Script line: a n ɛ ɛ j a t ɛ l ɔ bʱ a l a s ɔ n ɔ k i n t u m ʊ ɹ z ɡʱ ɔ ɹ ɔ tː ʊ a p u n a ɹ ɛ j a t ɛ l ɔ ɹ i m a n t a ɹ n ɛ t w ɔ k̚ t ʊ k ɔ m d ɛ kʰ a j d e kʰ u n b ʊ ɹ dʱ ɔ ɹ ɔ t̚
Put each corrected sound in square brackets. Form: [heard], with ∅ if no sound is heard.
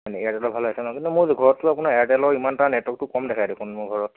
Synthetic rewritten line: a n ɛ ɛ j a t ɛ l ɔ bʱ a l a s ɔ n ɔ k i n t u m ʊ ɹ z ɡʱ ɔ ɹ ɔ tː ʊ a p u n a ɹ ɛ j a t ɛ l ɔ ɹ i m a n t a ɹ n ɛ t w ɔ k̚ t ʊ k ɔ m d ɛ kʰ a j d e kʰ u n [m] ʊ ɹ [ɡʱ] ɔ ɹ ɔ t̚

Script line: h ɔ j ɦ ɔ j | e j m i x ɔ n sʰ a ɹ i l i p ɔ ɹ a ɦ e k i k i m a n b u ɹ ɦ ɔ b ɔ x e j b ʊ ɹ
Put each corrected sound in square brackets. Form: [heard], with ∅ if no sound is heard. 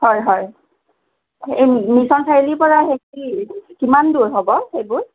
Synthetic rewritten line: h ɔ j ɦ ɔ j | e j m i [s] ɔ n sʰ a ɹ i l i p ɔ ɹ a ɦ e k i k i m a n [d] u ɹ ɦ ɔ b ɔ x e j b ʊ ɹ

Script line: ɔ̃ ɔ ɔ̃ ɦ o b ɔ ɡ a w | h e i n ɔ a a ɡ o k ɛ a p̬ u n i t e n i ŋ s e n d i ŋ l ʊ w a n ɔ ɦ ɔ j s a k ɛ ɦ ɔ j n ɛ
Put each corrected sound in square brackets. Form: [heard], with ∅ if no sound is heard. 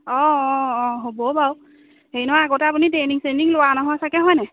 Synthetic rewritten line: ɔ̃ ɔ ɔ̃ ɦ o b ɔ [b] a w | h e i n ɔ a a ɡ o [t] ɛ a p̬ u n i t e n i ŋ s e n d i ŋ l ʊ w a n ɔ ɦ ɔ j s a k ɛ ɦ ɔ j n ɛ

